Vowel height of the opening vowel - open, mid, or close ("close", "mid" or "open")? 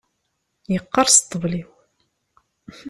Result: mid